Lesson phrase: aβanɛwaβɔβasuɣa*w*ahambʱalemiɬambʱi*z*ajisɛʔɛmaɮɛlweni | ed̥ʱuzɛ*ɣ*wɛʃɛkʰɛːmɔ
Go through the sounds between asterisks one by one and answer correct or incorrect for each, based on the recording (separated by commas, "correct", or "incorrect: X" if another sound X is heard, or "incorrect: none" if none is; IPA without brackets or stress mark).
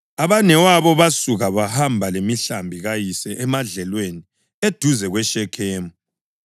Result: incorrect: β, incorrect: ɣ, correct